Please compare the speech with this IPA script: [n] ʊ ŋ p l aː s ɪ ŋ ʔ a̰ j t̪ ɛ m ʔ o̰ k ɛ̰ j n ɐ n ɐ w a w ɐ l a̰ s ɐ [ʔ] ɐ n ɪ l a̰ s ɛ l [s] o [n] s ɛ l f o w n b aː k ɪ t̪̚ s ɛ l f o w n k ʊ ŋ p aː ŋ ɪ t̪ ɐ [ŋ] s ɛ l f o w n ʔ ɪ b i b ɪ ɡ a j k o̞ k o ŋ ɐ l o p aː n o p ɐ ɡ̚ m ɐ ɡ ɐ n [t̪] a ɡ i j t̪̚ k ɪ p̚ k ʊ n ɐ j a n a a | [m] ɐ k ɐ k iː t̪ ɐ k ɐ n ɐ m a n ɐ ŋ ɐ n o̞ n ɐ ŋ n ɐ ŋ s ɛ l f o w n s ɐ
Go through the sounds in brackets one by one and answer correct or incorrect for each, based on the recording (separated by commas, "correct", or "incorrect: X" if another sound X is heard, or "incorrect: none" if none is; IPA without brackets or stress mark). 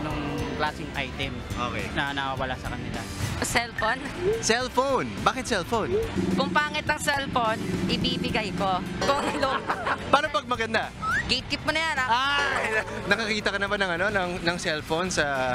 correct, incorrect: k, incorrect: f, correct, correct, incorrect: d̪, incorrect: n